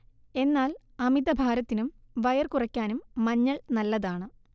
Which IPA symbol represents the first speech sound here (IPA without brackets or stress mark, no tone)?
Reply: e̞